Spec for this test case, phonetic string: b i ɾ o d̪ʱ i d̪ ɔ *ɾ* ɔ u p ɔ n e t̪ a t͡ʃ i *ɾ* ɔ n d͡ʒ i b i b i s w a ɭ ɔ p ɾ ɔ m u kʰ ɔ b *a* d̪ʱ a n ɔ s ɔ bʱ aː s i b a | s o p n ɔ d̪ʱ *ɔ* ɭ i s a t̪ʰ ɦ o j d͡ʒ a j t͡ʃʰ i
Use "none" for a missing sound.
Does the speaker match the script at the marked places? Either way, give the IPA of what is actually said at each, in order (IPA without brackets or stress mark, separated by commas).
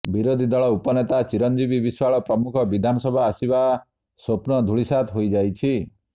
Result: ɭ, ɾ, i, u